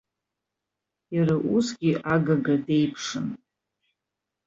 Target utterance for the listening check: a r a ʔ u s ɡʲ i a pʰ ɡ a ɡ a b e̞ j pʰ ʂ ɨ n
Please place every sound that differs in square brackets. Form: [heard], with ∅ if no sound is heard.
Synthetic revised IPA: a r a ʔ u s ɡʲ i a [∅] ɡ a ɡ a [d] e̞ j pʰ ʂ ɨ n